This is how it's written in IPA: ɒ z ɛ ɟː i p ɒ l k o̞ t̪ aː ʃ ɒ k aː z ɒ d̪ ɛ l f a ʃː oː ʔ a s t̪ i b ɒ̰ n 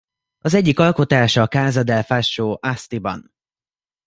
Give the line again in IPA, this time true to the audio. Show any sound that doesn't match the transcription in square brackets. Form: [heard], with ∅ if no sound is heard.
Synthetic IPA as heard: ɒ z ɛ ɟː i [k] ɒ l k o̞ t̪ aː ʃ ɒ k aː z ɒ d̪ ɛ l f a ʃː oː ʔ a s t̪ i b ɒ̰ n